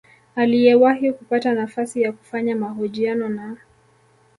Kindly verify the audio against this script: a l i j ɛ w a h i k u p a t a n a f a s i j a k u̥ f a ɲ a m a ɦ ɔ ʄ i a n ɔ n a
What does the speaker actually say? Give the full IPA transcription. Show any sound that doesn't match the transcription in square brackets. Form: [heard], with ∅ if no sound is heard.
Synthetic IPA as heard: a l i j ɛ w a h i k u p a t a n a f a s i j a k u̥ f a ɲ a m a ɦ ɔ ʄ i a n ɔ n a